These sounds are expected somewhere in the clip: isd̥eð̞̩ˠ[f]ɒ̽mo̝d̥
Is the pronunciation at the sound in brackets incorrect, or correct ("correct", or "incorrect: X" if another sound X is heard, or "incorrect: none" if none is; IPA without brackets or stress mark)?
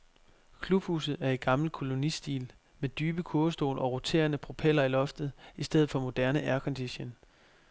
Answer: correct